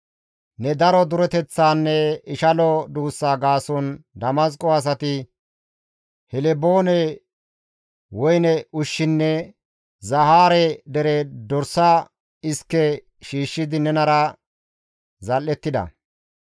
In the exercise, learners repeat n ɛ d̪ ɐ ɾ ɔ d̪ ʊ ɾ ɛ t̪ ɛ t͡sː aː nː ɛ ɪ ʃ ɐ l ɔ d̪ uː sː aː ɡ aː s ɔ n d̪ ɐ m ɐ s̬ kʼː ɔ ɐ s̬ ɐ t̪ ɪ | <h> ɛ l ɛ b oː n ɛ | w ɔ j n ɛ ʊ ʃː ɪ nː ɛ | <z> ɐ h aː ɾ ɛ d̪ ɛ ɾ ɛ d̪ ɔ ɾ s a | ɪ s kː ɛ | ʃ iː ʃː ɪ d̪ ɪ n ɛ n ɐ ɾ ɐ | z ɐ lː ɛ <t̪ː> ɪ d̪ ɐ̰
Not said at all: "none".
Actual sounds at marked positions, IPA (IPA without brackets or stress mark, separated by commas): h, z, t̪ː